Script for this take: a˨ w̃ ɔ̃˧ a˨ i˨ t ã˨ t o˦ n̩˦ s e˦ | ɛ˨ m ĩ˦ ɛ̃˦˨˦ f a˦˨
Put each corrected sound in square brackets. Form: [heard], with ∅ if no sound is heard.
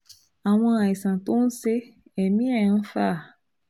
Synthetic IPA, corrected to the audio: a˨ w̃ ɔ̃˧ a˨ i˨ [s] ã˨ t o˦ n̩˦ s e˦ | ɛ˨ m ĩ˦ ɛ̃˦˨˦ f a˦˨